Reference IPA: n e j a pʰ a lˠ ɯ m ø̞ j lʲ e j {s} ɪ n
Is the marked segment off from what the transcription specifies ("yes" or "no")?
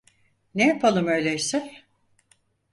no